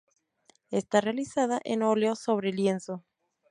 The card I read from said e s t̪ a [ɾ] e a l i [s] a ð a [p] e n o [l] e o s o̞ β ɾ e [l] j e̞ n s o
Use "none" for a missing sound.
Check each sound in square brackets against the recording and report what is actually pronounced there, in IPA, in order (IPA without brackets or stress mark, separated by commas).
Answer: r, s, ʔ, l, l